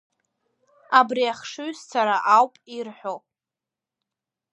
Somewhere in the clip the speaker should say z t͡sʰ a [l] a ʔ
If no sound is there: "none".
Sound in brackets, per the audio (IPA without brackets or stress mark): ɾ